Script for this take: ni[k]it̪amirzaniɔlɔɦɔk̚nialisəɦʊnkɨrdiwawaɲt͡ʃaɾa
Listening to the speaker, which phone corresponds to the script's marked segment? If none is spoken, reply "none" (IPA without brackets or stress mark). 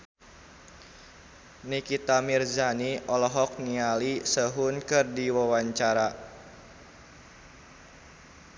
k